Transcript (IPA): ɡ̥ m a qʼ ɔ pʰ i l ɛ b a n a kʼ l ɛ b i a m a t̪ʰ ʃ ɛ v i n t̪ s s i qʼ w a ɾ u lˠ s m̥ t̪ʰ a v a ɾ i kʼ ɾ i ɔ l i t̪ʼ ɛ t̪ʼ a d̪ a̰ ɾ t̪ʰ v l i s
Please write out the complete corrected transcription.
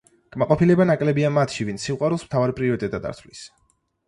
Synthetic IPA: ɡ̥ m a qʼ ɔ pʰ i l ɛ b a n a kʼ l ɛ b i a m a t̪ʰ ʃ i v i n t̪ s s i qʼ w a ɾ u lˠ s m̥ t̪ʰ a v a ɾ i pʼ ɾ i ɔ ɾ i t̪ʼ ɛ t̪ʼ a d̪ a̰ ɾ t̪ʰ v l i s